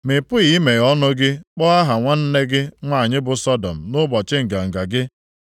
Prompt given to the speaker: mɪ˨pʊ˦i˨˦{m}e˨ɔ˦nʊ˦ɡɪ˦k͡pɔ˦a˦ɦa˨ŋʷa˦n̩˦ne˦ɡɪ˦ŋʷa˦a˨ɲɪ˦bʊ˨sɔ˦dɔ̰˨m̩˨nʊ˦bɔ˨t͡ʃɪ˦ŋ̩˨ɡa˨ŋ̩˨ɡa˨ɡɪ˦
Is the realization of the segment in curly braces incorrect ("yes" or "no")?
no